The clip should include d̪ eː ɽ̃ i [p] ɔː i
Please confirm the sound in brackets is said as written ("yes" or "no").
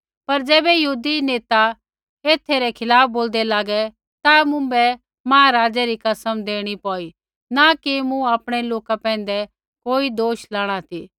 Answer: yes